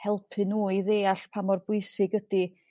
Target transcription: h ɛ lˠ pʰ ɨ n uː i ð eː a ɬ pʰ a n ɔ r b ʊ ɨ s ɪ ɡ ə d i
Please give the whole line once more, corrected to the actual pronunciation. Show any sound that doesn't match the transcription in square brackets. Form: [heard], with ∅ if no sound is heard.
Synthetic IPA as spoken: h ɛ lˠ pʰ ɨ n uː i ð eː a ɬ pʰ a [m] ɔ r b ʊ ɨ s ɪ ɡ ə d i